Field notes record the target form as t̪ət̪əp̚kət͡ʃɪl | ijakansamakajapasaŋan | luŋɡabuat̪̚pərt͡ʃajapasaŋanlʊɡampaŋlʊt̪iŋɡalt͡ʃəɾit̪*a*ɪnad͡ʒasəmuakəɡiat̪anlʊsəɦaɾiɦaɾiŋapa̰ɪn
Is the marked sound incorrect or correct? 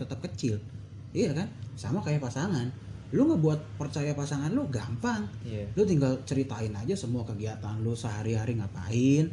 correct